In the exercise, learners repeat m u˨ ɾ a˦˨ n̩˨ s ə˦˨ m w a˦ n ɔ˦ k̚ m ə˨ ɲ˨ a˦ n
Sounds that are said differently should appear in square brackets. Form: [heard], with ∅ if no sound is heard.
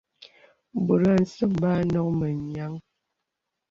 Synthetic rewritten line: [b] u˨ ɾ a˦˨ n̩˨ s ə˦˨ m [b] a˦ n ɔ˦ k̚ m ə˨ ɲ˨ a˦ [ŋ]